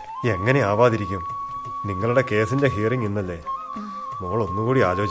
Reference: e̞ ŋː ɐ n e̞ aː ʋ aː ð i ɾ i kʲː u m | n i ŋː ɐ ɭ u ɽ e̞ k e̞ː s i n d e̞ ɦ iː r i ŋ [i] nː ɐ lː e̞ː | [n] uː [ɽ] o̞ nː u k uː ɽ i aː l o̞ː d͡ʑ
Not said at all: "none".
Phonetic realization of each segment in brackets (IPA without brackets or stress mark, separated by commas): i, m, ɭ